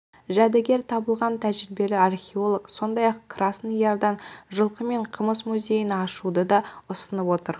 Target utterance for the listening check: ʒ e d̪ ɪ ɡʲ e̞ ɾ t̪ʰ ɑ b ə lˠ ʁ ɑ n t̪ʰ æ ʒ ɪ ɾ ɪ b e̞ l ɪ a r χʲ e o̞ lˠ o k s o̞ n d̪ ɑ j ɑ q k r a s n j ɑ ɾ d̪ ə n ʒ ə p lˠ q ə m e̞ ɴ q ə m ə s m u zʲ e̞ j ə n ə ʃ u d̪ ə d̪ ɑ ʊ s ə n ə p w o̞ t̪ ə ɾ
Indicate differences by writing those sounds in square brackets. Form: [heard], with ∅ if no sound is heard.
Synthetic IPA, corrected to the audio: ʒ [æ] d̪ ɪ ɡʲ e̞ ɾ t̪ʰ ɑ b ə lˠ ʁ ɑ n t̪ʰ æ ʒ ɪ ɾ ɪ b e̞ l ɪ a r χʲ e o̞ lˠ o k s o̞ n d̪ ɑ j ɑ q k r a s n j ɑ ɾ d̪ [ɑ] n ʒ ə [∅] lˠ q ə m e̞ ɴ [qʰ] ə m ə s m u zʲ e̞ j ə n [ɑ] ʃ u d̪ ə d̪ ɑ ʊ s ə n ə p w o̞ t̪ ə ɾ